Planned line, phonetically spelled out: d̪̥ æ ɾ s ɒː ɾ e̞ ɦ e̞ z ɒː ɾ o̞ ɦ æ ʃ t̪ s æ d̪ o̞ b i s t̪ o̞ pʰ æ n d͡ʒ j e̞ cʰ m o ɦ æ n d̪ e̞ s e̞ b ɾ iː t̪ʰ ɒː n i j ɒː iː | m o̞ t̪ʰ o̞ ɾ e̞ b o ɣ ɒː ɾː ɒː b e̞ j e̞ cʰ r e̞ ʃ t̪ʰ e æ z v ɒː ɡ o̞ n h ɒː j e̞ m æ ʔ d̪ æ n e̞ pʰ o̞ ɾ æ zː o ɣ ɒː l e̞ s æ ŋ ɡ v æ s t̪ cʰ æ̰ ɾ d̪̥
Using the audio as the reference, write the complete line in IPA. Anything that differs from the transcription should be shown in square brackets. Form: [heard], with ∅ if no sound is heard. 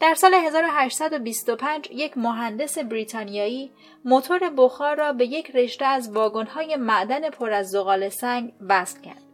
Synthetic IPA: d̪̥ æ ɾ s ɒː [l] e̞ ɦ e̞ z ɒː ɾ o̞ ɦ æ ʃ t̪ s æ d̪ o̞ b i s t̪ o̞ pʰ æ n d͡ʒ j e̞ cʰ m o ɦ æ n d̪ e̞ s e̞ b ɾ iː t̪ʰ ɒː n i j ɒː iː | m o̞ t̪ʰ o̞ ɾ e̞ b o [x] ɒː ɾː ɒː b e̞ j e̞ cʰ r e̞ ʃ [t̪] e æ z v ɒː ɡ o̞ n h ɒː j e̞ m æ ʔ d̪ æ n e̞ pʰ o̞ ɾ æ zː o ɣ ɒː l e̞ s æ ŋ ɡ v æ s t̪ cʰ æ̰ ɾ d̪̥